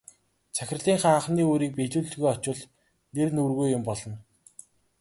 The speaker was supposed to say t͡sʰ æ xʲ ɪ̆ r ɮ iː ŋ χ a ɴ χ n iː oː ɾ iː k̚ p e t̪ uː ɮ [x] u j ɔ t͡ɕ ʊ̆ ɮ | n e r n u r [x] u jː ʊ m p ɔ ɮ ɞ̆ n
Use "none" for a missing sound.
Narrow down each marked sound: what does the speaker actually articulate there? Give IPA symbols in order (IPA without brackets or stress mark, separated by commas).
ɣ, ɣ